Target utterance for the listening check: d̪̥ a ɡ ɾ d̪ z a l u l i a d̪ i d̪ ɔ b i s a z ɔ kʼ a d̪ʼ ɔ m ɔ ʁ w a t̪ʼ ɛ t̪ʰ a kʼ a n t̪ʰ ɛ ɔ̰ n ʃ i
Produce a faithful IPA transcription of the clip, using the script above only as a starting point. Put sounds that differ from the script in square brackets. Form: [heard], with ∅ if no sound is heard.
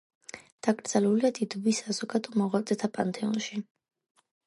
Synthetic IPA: d̪̥ a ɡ ɾ d̪ z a l u l i a d̪ i d̪ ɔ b i s a z ɔ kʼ a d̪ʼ ɔ m ɔ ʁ w a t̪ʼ ɛ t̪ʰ a [pʼ] a n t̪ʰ ɛ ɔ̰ n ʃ i